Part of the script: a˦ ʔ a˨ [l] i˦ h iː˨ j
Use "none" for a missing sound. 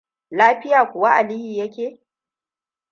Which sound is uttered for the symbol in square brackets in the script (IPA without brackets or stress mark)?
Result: l